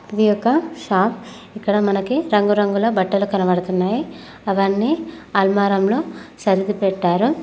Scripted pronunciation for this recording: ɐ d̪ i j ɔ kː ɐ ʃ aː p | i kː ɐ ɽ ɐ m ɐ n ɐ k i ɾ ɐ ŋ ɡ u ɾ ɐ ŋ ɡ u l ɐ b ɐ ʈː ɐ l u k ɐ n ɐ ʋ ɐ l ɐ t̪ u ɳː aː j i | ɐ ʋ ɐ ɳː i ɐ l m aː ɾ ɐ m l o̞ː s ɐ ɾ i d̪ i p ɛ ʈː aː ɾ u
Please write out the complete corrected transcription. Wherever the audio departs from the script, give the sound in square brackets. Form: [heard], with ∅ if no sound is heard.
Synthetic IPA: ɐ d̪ i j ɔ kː ɐ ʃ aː p | i kː ɐ ɽ ɐ m ɐ n ɐ k i ɾ ɐ ŋ ɡ u ɾ ɐ ŋ ɡ u l ɐ b ɐ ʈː ɐ l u k ɐ n ɐ ʋ ɐ [ɽ] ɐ t̪ u [nː] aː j i | ɐ ʋ ɐ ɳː i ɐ l m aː ɾ ɐ m l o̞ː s ɐ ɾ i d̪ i p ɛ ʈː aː ɾ u

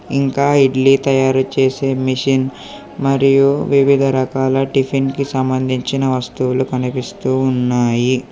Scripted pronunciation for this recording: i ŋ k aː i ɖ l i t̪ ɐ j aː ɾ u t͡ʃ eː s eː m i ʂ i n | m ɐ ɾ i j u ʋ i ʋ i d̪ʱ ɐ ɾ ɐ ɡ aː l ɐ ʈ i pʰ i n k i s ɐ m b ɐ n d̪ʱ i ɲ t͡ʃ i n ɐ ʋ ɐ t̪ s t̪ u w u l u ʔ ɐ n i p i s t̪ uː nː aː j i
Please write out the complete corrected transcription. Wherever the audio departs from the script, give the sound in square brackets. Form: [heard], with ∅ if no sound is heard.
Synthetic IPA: i ŋ k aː i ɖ l i t̪ ɐ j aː ɾ u t͡ʃ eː s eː m i ʂ i n | m ɐ ɾ i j u ʋ i ʋ i d̪ʱ ɐ ɾ ɐ [k] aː l ɐ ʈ i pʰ i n k i s ɐ m b ɐ n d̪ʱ i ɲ t͡ʃ i n ɐ ʋ ɐ [∅] s t̪ u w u l u [k] ɐ n i p i s t̪ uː nː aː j i

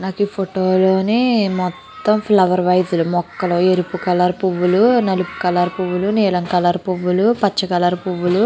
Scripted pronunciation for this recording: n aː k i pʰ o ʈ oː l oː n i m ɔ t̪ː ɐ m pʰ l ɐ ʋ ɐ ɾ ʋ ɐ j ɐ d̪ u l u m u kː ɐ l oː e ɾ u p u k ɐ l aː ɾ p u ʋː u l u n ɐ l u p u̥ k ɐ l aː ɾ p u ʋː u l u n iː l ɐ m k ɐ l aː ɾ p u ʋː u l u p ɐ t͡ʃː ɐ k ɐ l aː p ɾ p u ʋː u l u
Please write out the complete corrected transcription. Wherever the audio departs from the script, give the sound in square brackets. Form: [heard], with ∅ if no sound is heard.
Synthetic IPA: n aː k i pʰ o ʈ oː l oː n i m ɔ t̪ː ɐ m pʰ l ɐ ʋ ɐ ɾ ʋ ɐ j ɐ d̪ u l u m [ɔ] kː ɐ l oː e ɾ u p u k ɐ l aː ɾ p u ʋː u l u n ɐ l u p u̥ k ɐ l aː ɾ p u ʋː u l u n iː l ɐ [ŋ] k ɐ l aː ɾ p u ʋː u l u p ɐ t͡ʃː ɐ k ɐ l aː [∅] ɾ p u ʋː u l u

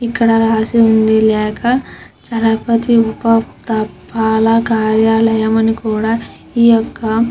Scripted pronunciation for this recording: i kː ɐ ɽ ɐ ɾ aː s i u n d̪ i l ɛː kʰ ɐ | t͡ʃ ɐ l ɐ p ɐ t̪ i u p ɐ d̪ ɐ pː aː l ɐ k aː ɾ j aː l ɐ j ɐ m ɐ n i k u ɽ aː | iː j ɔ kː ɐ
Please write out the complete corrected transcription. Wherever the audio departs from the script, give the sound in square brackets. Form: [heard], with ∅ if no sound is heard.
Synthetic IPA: i kː ɐ ɽ ɐ ɾ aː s i u n d̪ i l ɛː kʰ ɐ | t͡ʃ ɐ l ɐ p ɐ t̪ i u p ɐ [t̪] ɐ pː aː l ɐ k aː ɾ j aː l ɐ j ɐ m ɐ n i k [uː] ɽ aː | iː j ɔ kː ɐ

